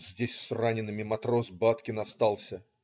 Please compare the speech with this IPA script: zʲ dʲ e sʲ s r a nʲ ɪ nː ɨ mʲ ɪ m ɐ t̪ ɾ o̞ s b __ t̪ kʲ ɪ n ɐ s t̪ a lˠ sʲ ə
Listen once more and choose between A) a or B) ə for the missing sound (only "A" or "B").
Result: A